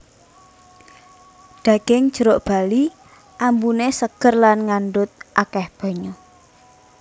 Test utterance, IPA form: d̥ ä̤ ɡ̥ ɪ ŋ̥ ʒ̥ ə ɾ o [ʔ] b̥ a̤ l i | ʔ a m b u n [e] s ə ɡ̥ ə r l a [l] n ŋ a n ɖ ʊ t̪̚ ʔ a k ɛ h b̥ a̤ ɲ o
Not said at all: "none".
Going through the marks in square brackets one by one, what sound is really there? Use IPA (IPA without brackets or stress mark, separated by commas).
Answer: ʔ, e, none